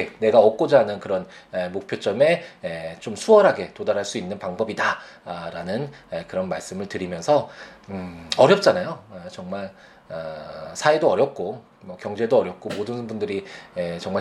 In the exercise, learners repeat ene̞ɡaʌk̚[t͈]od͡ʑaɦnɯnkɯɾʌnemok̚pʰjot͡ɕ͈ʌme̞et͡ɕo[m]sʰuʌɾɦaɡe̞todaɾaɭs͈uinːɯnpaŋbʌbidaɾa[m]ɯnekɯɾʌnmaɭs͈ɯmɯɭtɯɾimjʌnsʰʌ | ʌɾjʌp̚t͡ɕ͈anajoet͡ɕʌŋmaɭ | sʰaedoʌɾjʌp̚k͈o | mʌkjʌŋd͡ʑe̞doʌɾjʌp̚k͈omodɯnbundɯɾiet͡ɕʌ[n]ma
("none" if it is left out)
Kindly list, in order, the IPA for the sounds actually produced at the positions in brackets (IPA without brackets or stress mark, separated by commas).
k͈, m, n, ŋ